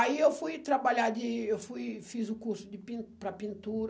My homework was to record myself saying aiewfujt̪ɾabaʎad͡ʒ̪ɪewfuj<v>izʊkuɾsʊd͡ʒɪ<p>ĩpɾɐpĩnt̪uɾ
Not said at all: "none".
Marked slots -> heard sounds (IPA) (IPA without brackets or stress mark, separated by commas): f, p